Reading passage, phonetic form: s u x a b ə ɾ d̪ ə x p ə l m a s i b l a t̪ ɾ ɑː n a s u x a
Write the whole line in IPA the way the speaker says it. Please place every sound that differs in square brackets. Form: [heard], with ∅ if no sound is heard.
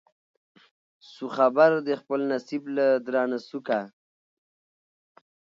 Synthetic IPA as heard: s u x a b [a] ɾ d̪ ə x p ə l [n] a s i b l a [d̪] ɾ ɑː n a s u [k] a